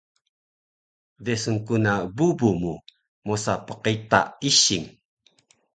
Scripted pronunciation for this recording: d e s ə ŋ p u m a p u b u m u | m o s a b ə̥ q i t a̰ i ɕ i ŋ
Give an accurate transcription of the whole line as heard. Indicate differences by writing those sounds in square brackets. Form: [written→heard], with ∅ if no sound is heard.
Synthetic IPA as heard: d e s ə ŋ [p→k] u [m→n] a [p→b] u b u m u | m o s a [b→p] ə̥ q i t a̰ i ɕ i ŋ